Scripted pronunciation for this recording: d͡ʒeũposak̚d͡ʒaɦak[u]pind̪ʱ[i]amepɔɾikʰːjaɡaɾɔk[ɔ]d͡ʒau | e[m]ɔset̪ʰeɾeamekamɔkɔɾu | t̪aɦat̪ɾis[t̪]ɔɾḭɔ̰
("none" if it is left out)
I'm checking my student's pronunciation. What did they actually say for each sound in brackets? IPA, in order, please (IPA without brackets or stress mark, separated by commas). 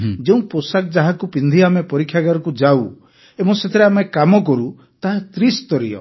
u, i, u, m, t̪